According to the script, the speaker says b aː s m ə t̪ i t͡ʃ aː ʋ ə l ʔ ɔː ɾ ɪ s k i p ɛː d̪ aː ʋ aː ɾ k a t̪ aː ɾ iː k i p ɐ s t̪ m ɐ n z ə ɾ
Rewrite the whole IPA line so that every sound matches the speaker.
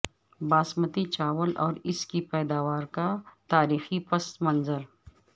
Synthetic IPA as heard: b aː s m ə t̪ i t͡ʃ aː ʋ ə l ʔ ɔː ɾ ɪ s k i p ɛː d̪ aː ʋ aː ɾ k a t̪ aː ɾ iː x i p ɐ s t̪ m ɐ n z ə ɾ